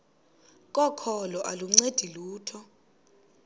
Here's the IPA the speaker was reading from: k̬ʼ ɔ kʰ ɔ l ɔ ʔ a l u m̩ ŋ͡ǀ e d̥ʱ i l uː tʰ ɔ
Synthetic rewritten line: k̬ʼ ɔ kʰ ɔ l ɔ ʔ a l u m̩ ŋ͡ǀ e d̥ʱ i l uː tʰ ɔ

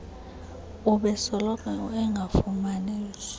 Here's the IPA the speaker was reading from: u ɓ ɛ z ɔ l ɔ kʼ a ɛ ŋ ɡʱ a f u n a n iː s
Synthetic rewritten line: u ɓ ɛ s ɔ l ɔ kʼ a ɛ ŋ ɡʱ a f u m a n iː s

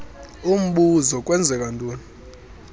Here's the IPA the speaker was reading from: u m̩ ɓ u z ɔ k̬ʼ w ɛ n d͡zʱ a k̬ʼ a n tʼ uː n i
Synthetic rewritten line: u m̩ ɓ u z ɔ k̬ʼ w ɛ n d͡zʱ ɛ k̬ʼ a n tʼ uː n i

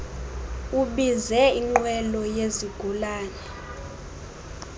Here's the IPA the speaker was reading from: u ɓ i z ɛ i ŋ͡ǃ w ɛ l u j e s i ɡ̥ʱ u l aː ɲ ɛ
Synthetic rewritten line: u ɓ i z ɛ i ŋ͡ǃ w ɛ l ɔ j e z i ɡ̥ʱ u l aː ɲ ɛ

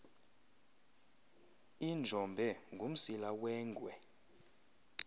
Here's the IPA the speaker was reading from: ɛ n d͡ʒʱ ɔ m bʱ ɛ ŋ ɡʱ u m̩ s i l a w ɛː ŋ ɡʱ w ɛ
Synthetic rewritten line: i n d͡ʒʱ ɔ m bʱ ɛ ŋ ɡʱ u m̩ s i l a w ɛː ŋ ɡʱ w ɛ

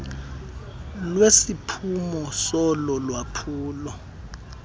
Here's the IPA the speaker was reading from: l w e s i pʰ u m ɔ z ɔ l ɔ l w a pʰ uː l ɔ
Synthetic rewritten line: l w e s i pʰ u m ɔ s ɔ l ɔ l w a pʰ uː l ɔ

